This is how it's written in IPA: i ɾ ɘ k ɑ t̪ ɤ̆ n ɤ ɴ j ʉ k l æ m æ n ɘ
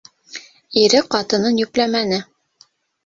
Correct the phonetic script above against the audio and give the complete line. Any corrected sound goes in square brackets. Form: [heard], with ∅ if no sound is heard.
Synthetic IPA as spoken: i ɾ ɘ [q] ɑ t̪ ɤ̆ n ɤ [n] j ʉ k l æ m æ n ɘ